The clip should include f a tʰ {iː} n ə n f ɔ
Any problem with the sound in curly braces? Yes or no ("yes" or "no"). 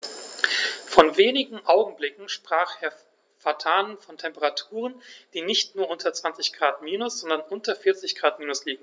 yes